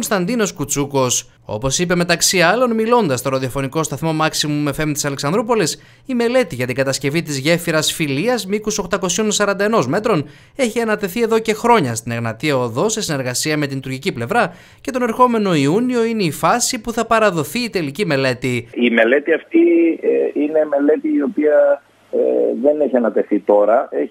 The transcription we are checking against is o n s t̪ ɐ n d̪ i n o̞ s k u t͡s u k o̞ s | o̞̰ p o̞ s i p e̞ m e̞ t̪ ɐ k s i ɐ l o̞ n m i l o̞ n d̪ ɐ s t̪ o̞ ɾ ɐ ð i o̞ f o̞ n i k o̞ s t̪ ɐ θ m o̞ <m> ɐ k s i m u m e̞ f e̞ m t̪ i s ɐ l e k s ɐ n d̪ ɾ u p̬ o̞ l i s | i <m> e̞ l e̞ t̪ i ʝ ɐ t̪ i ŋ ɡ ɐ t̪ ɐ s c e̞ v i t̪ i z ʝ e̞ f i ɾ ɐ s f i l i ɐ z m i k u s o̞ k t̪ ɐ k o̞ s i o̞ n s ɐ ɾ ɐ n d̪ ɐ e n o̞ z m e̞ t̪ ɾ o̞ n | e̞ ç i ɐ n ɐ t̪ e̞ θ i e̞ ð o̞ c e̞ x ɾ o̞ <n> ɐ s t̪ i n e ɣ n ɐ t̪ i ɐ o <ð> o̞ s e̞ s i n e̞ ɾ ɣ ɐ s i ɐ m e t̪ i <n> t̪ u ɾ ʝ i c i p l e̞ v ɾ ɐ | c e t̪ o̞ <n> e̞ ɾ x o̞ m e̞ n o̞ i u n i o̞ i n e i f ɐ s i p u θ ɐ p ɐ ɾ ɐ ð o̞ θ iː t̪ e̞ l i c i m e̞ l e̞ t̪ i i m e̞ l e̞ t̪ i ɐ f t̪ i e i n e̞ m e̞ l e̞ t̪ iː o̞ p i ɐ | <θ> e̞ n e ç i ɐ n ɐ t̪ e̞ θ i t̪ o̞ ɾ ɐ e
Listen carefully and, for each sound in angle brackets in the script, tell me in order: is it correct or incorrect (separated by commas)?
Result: correct, correct, incorrect, correct, correct, correct, incorrect